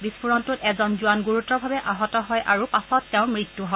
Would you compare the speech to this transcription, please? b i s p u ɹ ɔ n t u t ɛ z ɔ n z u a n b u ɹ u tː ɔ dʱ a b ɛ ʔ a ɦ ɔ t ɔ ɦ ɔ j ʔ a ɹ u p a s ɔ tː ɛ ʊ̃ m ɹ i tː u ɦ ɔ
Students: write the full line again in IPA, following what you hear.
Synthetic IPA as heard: b i s p u ɹ ɔ n t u t ɛ z ɔ n z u a n ɡ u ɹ u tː ɔ bʱ a b ɛ ʔ a ɦ ɔ t ɔ ɦ ɔ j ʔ a ɹ u p a s ɔ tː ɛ ʊ̃ m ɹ i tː u ɦ ɔ